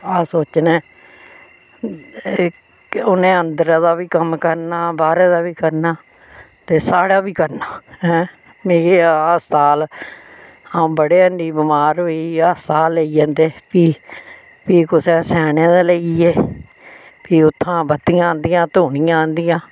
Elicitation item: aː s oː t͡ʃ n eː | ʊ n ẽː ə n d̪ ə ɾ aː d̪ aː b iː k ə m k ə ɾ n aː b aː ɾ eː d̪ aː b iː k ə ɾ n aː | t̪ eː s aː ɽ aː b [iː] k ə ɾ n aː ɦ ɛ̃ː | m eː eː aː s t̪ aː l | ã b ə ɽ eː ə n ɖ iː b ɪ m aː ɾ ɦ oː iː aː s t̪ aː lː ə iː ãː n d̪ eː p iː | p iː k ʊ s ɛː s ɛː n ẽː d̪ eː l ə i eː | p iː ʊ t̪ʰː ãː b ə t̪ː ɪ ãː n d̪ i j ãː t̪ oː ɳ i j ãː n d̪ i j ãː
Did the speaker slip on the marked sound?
no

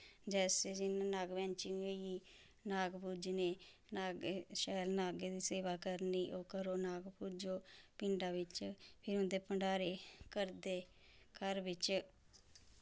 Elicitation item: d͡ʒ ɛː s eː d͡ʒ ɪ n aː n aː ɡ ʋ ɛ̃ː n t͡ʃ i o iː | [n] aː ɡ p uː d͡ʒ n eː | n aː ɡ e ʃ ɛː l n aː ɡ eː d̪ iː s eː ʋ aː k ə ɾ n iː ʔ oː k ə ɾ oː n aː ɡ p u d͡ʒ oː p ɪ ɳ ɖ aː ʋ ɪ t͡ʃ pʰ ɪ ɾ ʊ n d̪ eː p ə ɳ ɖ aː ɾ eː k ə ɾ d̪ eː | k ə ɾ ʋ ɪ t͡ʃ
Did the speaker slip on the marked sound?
no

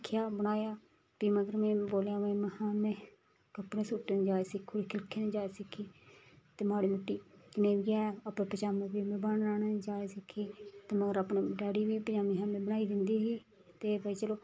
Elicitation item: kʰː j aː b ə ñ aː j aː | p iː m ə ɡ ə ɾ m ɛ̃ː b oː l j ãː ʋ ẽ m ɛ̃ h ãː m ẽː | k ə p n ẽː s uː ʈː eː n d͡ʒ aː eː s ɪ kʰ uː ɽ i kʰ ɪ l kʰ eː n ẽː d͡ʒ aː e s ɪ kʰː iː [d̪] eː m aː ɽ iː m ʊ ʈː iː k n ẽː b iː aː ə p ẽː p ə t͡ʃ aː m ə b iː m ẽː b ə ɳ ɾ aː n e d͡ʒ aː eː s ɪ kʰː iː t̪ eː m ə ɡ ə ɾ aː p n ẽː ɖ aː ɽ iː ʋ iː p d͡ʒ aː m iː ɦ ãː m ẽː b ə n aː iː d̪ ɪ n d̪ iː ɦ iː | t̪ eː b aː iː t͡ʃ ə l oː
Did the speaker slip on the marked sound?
yes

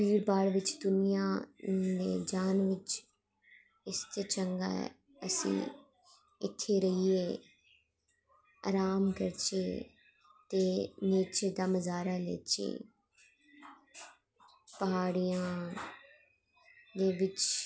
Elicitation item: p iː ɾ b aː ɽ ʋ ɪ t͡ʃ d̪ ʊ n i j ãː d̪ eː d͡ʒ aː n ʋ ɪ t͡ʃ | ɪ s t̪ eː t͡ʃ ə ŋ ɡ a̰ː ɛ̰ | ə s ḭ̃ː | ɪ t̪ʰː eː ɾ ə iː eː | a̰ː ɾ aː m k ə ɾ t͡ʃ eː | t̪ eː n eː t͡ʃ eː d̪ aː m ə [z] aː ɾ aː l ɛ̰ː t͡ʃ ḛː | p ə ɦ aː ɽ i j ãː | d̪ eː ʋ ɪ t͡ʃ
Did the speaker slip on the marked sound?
no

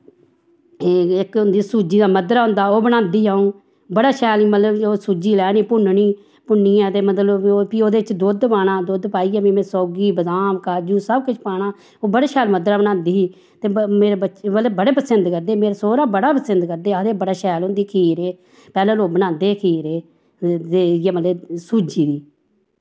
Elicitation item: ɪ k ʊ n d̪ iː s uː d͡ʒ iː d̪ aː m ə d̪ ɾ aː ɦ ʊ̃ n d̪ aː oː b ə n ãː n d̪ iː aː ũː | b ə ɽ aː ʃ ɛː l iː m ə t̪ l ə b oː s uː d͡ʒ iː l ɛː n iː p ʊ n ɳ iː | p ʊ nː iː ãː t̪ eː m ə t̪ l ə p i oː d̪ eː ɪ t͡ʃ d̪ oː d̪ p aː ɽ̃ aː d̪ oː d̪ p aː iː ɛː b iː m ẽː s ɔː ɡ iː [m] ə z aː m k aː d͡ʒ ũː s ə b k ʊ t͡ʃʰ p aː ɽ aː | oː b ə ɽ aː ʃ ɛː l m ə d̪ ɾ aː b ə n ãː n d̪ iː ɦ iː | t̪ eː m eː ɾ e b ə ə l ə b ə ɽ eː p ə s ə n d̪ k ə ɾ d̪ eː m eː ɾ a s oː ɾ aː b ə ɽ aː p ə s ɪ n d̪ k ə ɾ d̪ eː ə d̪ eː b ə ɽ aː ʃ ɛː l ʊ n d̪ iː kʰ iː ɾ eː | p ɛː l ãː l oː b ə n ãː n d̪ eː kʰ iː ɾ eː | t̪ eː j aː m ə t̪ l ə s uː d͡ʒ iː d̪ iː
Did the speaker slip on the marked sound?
yes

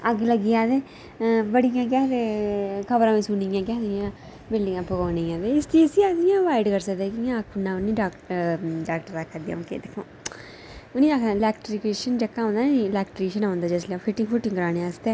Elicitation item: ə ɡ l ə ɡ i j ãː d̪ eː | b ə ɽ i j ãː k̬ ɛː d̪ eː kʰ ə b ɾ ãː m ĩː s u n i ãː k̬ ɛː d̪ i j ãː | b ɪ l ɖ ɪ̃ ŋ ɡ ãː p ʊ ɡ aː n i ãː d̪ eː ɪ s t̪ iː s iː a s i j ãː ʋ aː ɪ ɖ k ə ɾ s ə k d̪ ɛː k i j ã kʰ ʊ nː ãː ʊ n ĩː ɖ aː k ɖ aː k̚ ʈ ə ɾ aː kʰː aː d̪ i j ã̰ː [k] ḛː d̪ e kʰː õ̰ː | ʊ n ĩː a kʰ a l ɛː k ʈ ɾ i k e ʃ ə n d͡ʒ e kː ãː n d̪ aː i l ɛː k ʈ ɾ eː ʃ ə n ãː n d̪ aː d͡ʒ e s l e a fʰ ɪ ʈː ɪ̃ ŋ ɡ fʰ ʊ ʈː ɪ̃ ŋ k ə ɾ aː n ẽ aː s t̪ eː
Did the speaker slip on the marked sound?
no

